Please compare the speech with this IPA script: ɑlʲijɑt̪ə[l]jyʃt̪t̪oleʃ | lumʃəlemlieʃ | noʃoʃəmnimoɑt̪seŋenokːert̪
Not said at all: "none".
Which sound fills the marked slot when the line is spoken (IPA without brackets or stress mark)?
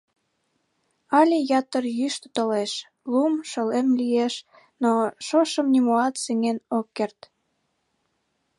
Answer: r